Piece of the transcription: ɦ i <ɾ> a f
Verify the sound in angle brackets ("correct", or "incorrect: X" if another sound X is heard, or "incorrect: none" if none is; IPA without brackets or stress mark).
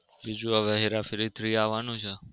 correct